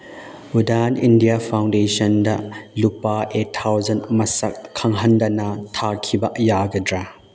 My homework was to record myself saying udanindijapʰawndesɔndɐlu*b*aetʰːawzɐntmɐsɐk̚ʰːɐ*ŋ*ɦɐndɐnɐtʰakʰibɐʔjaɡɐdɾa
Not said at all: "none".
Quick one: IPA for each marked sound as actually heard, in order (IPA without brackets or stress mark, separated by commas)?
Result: p, ŋ